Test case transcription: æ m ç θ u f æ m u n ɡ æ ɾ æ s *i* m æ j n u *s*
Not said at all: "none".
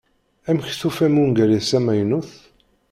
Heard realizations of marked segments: æ, θ

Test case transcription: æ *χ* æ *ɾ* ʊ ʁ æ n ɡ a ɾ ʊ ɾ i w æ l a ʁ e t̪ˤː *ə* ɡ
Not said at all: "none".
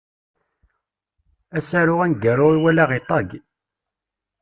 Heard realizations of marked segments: s, ɾ, ɑ

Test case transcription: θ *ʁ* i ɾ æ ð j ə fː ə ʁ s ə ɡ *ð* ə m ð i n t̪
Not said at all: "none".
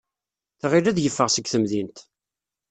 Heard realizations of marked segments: ʁ, θ

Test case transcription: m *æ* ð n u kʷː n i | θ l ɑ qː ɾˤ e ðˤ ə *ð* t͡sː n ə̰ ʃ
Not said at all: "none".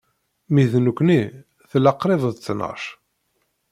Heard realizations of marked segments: i, ð

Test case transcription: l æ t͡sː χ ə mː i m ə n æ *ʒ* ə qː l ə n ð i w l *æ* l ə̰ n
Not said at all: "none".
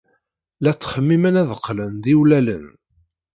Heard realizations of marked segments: ð, æ

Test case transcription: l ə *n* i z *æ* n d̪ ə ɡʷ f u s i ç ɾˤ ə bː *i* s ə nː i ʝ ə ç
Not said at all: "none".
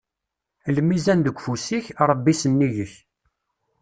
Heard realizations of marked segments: m, æ, i

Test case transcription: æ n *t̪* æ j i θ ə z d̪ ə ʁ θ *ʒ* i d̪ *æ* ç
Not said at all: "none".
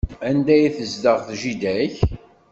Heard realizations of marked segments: d̪, ʒ, æ

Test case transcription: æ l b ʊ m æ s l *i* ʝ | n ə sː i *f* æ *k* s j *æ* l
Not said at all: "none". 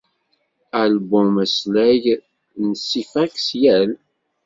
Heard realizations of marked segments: æ, f, k, æ

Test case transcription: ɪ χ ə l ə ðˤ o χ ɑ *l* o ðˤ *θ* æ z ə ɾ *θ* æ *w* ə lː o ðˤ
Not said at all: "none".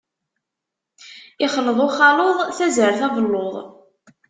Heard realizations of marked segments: l, θ, θ, v

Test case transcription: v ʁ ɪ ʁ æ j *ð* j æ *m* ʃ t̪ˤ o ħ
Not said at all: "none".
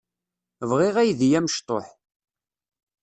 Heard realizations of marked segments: ð, m

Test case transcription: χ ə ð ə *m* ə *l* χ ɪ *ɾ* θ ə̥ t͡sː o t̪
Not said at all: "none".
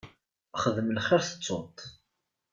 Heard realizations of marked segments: m, l, ɾ

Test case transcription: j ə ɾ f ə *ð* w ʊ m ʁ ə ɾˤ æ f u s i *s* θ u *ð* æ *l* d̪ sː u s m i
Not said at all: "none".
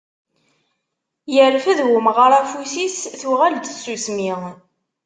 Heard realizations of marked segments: ð, s, ʁ, l

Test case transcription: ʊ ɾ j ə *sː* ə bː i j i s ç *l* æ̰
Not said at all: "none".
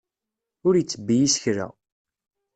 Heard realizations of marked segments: t͡sː, ɾ

